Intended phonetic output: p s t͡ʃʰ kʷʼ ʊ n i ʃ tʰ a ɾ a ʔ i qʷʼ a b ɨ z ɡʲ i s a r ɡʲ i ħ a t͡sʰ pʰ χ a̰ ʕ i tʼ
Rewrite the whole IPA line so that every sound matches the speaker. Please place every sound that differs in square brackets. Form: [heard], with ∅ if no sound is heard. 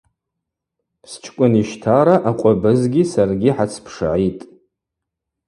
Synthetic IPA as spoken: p s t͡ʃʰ kʷʼ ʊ n i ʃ tʰ a ɾ a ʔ [a] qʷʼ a b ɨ z ɡʲ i s a r ɡʲ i ħ a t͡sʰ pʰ [ʂ] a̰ ʕ i tʼ